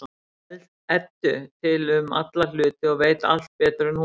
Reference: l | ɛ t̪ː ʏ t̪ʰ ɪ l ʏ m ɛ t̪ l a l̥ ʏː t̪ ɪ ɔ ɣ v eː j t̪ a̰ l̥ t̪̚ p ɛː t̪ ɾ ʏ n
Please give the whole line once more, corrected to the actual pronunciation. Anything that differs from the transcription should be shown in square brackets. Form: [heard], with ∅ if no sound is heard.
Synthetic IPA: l | ɛ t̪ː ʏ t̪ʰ ɪ l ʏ m [a] t̪ l a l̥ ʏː t̪ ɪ ɔ ɣ v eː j t̪ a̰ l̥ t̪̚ p ɛː t̪ ɾ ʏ n